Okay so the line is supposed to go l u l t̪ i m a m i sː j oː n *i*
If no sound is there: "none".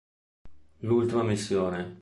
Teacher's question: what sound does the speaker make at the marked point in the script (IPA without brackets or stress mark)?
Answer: e